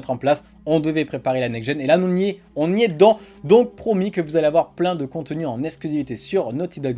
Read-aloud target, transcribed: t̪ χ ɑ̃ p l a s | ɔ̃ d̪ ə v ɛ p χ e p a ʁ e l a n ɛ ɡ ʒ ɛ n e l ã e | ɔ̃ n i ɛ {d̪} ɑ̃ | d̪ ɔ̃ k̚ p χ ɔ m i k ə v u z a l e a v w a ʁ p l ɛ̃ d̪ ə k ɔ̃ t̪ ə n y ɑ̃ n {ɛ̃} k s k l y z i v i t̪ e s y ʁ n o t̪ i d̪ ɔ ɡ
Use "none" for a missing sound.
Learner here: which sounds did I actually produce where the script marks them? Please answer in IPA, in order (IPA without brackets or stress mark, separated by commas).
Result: d̪, ɛ